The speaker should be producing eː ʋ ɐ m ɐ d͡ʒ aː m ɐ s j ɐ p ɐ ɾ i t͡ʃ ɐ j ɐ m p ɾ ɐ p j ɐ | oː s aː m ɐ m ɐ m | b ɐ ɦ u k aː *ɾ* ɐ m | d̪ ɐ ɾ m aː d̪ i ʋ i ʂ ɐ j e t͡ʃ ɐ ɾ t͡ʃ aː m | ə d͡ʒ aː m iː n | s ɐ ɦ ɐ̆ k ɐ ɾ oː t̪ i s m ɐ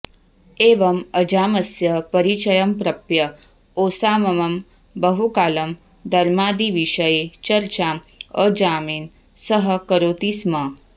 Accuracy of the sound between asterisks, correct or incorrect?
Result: incorrect: l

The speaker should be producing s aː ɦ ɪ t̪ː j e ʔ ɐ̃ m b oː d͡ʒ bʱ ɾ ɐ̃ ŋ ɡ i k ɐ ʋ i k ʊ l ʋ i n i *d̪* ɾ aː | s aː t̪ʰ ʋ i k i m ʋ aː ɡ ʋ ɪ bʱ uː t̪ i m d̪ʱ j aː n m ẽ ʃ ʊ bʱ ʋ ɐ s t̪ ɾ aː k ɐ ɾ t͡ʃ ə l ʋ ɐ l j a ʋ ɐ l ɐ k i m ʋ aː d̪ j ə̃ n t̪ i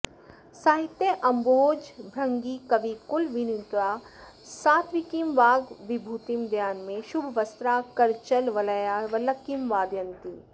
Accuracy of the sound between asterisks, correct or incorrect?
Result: incorrect: t̪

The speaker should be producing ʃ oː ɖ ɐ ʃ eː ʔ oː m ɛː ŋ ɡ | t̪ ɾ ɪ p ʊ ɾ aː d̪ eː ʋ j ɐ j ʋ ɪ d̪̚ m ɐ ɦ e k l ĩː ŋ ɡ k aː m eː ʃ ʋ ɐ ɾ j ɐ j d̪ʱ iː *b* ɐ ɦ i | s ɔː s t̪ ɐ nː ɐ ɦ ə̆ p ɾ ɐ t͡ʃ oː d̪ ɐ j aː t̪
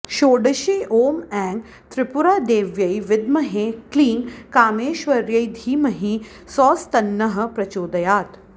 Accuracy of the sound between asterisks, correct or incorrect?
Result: incorrect: m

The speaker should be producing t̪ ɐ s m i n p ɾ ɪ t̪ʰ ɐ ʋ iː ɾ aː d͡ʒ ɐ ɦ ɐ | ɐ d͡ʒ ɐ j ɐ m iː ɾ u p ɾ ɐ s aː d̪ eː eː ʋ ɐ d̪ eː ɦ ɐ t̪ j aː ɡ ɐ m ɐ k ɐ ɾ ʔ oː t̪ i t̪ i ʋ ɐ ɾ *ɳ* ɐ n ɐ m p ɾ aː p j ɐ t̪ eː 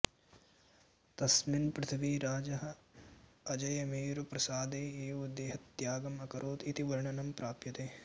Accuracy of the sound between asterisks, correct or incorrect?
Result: correct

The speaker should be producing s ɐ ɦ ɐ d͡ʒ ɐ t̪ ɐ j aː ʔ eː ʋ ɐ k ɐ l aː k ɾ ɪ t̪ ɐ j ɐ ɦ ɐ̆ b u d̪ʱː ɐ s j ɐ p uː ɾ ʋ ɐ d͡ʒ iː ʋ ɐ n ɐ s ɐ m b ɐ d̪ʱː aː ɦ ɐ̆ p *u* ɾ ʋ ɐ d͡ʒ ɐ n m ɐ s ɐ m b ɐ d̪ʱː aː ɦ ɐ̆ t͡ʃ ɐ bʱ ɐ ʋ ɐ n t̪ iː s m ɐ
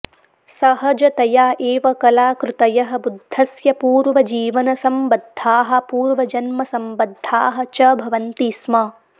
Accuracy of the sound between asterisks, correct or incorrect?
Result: incorrect: uː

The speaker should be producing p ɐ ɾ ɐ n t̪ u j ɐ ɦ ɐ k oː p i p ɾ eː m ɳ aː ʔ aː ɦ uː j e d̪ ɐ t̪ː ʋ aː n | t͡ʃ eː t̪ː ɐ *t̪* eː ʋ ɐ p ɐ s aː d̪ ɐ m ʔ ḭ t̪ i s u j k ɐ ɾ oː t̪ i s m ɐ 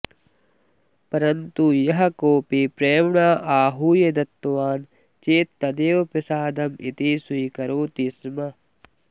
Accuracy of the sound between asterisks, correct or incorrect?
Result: incorrect: d̪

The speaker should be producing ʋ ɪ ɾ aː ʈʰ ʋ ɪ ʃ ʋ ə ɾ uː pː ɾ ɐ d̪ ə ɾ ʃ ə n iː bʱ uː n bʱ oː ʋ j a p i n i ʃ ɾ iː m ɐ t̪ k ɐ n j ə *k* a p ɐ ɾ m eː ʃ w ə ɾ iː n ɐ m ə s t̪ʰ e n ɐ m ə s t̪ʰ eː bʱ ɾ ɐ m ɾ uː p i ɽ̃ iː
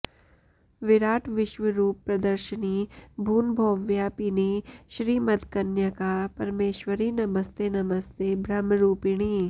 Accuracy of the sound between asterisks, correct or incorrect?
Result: correct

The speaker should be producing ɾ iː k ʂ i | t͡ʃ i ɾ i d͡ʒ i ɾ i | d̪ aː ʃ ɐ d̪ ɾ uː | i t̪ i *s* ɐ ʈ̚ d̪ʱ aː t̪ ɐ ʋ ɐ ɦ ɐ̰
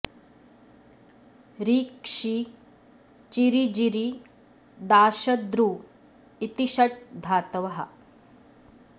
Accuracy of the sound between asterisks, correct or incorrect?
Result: incorrect: ʃ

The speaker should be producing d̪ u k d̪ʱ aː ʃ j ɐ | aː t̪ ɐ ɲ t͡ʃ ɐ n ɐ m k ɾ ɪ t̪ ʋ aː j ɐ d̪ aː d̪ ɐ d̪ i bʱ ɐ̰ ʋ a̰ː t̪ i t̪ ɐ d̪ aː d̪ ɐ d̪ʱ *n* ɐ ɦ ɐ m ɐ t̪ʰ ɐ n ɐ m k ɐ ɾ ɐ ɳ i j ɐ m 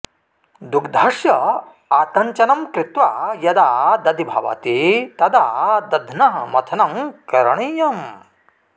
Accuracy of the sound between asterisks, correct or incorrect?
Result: correct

